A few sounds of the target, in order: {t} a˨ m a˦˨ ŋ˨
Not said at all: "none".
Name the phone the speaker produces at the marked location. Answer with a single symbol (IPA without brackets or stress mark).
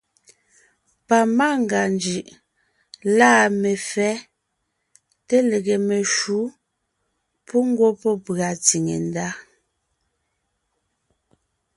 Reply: p